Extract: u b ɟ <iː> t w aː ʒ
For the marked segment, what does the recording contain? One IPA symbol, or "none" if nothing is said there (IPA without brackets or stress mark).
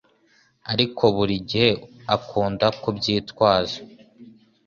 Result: iː